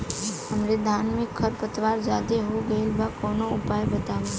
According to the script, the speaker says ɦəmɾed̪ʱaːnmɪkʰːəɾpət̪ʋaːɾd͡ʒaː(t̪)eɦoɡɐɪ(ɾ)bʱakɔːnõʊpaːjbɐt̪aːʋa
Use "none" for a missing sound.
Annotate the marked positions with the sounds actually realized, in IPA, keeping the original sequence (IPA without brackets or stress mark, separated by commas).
d̪, l